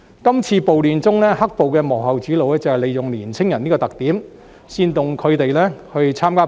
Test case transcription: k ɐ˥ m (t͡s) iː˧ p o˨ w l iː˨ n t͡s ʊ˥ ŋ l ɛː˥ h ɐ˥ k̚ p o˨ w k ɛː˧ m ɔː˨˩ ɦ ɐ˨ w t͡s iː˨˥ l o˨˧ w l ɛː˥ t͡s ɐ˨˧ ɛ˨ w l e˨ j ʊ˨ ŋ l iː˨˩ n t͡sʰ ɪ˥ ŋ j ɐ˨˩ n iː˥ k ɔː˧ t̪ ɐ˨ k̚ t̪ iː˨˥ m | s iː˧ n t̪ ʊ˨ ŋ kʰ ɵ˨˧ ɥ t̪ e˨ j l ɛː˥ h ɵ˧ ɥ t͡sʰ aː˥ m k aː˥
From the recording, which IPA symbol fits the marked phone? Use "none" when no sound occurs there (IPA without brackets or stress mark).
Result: t͡sʰ